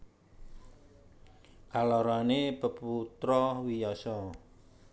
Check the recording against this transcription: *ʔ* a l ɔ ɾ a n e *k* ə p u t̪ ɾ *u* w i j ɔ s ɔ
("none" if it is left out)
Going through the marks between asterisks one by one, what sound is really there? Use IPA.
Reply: k, p, ɔ

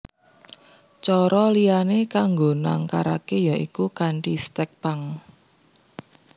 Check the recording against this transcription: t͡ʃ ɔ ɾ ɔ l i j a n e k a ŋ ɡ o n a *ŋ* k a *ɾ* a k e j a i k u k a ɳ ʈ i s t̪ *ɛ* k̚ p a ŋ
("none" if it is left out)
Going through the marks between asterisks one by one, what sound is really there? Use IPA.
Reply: ŋ, ɾ, ɛ

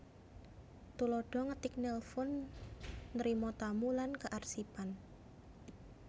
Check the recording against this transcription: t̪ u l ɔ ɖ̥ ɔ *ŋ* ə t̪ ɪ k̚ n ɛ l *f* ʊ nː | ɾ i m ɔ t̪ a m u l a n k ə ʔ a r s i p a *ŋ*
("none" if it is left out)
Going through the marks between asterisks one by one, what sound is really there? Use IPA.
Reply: ŋ, f, n

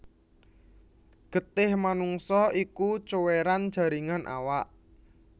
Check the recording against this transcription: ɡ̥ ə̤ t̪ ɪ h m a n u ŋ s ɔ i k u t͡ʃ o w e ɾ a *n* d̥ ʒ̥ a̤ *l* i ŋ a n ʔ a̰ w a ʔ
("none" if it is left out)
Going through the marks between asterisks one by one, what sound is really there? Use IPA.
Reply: n, ɾ

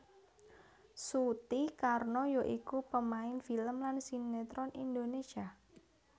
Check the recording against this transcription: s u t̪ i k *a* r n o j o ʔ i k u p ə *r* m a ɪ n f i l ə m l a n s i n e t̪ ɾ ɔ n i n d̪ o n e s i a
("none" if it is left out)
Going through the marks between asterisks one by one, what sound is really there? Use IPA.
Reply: a, none

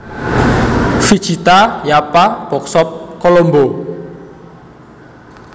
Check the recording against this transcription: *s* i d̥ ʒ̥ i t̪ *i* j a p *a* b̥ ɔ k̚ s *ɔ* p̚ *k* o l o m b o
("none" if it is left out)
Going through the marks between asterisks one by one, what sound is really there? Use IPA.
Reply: f, a, a, ɔ, k

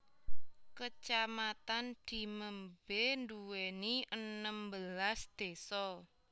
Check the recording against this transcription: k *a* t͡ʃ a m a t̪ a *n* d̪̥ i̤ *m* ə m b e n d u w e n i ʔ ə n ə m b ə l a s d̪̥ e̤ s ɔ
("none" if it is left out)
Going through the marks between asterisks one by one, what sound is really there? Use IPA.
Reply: ə, n, m

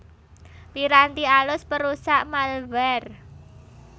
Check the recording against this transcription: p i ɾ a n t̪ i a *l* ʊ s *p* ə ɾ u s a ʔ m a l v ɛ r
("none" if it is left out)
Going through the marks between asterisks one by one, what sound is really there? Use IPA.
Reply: l, p

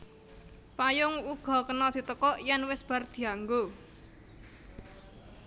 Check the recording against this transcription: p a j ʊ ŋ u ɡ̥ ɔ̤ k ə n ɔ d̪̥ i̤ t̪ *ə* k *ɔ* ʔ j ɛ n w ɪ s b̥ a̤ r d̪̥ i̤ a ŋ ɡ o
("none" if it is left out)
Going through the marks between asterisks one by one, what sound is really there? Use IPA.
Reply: ə, ɔ

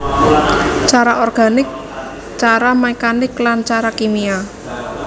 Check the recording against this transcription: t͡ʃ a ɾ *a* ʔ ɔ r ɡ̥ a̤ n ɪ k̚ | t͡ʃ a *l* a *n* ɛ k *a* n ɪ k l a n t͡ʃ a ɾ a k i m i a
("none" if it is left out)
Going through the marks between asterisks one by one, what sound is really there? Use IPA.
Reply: a, ɾ, m, a

